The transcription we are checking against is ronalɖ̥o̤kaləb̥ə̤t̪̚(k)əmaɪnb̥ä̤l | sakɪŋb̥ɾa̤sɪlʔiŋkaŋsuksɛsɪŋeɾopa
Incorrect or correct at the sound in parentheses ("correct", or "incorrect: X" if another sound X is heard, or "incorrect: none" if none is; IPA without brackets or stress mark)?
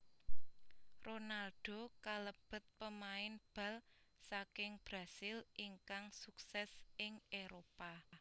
incorrect: p